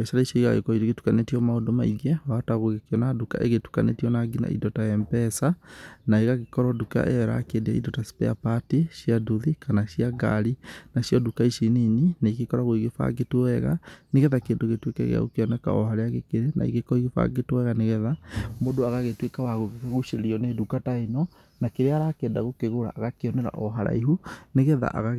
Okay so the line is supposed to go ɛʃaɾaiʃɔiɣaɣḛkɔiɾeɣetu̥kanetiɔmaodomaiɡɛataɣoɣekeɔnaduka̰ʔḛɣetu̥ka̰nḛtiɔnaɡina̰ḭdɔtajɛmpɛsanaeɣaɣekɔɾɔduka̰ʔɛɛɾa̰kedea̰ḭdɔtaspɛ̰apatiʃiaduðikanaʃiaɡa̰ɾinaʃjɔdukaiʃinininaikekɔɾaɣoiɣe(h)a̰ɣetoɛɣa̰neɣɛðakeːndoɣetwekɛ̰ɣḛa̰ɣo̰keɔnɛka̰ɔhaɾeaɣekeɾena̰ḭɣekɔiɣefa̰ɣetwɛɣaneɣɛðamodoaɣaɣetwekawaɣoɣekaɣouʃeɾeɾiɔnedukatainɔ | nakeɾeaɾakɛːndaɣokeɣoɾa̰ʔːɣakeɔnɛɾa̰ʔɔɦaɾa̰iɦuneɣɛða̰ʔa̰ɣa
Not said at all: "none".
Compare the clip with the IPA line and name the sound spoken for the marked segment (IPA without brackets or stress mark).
f